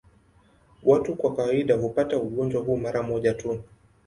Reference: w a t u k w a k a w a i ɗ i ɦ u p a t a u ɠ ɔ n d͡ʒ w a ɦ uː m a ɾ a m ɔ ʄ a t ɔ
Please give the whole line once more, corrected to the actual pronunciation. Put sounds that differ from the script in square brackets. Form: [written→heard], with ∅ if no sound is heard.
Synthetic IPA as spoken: w a t u k w a k a w a i ɗ [i→a] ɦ u p a t a u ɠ ɔ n d͡ʒ w a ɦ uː m a ɾ a m ɔ ʄ a t [ɔ→u]